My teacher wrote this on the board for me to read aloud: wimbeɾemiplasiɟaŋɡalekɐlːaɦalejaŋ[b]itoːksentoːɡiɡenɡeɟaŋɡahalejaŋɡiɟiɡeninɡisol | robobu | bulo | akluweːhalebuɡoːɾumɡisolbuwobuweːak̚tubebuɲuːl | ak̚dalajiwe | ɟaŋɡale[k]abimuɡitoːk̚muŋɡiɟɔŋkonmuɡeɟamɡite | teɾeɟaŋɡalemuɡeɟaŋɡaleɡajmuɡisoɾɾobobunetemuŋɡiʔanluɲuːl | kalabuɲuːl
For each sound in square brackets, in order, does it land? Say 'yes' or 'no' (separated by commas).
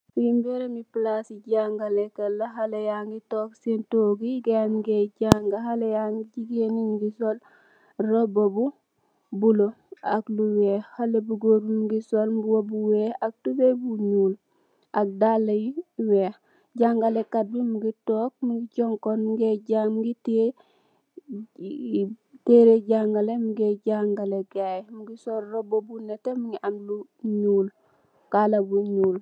no, yes